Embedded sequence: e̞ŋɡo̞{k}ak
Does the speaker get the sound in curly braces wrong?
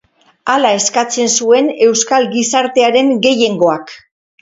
yes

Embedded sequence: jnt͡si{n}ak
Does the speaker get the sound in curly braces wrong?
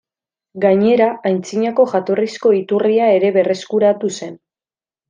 yes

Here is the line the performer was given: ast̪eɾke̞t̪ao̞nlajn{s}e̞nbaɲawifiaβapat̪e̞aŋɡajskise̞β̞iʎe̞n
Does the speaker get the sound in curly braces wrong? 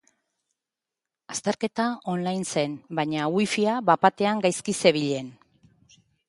no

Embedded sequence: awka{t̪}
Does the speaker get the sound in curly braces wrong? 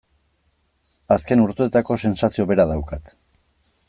no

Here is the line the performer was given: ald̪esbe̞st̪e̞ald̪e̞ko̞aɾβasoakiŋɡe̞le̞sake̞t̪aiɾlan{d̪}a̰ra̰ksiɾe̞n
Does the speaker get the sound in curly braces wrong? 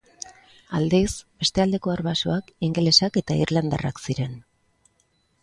no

